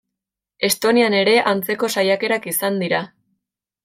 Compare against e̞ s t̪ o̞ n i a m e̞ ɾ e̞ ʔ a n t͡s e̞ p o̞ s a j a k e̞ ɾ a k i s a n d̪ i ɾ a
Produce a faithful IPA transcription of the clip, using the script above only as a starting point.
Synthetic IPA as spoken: e̞ s t̪ o̞ n i a n e̞ ɾ e̞ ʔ a n t͡s e̞ k o̞ s a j a k e̞ ɾ a k i s a n d̪ i ɾ a